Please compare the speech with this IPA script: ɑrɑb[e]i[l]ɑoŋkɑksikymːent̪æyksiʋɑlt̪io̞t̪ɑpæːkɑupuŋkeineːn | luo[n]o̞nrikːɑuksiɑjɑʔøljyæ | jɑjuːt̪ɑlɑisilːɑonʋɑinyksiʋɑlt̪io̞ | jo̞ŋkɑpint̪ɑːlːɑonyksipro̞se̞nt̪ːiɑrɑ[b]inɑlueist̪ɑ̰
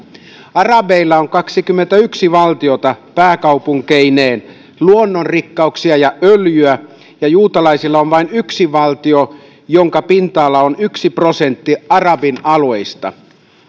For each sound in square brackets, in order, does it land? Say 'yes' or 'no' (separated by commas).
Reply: yes, no, no, yes